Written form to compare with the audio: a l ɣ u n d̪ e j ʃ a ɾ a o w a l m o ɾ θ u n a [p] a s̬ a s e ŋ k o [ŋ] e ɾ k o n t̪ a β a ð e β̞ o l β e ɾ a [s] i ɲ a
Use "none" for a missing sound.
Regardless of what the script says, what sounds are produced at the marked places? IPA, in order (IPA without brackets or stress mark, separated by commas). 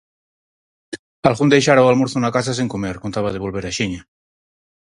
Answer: k, m, ʃ